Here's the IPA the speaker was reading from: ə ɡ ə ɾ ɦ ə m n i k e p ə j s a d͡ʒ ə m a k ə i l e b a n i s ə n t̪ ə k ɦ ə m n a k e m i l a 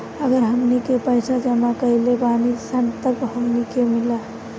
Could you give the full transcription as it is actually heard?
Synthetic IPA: ə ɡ ə ɾ ɦ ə m n i k e p ə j s a d͡ʒ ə m a k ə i l e b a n i s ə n t̪ ə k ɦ ə m n i k e m i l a